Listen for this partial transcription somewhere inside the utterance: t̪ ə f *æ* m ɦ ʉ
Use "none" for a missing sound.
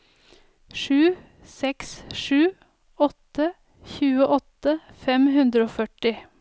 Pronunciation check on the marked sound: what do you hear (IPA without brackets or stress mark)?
ɛ